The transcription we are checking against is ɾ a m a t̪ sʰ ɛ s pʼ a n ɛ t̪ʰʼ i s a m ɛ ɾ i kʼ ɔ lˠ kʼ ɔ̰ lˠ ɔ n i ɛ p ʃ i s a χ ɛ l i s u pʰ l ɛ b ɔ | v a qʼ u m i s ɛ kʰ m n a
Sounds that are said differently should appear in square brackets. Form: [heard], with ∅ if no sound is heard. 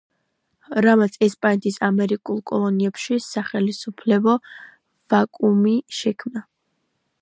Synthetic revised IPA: ɾ a m a t̪ sʰ ɛ s pʼ a n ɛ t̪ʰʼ i s a m ɛ ɾ i kʼ [u] lˠ kʼ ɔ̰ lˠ ɔ n i ɛ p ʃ i s a χ ɛ l i s u pʰ l ɛ b ɔ | v a [kʼ] u m i [ʃ] ɛ kʰ m n a